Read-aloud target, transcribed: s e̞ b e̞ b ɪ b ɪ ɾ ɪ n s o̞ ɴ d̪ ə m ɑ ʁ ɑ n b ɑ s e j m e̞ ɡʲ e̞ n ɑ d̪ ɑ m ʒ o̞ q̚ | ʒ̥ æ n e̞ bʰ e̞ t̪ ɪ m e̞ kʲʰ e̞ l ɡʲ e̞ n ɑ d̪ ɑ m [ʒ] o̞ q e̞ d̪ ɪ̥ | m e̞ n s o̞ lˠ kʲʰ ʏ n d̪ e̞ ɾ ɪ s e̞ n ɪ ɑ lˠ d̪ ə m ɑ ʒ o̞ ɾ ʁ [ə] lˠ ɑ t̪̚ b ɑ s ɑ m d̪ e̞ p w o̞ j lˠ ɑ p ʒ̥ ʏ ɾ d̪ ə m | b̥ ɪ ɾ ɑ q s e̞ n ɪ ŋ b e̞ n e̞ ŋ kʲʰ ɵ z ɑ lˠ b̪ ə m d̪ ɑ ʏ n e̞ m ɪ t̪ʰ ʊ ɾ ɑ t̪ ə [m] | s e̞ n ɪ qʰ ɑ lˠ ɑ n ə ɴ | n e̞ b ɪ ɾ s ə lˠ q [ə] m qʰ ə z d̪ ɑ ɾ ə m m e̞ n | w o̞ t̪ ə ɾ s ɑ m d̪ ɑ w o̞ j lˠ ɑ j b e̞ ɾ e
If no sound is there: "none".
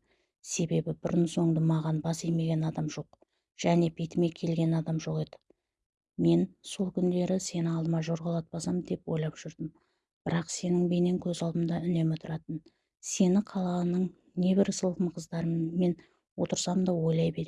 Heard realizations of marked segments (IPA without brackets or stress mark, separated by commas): ʒ, ɑ, n, ə